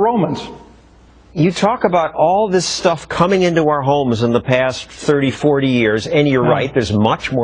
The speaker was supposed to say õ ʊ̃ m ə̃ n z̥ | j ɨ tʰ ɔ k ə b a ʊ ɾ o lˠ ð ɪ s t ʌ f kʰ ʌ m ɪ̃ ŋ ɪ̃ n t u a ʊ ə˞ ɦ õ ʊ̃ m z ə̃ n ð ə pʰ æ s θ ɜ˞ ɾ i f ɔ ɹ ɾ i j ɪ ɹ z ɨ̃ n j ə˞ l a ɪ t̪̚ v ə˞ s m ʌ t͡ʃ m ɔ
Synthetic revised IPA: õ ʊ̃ m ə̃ n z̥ | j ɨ tʰ ɔ k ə b a ʊ ɾ ɔ lˠ ð ɪ s t ʌ f kʰ ʌ m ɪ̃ ŋ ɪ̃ n t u a ʊ ə˞ ɦ õ ʊ̃ m z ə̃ n ð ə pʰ æ s θ ɜ˞ ɾ i f ɔ ɹ ɾ i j ɪ ɹ z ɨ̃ n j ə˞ ɹ a ɪ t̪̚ ð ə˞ z m ʌ t͡ʃ m ɔ